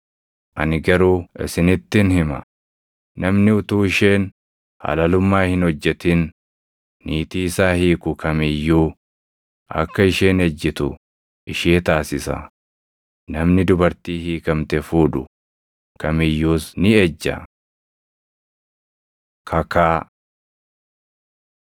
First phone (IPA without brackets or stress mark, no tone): ʔ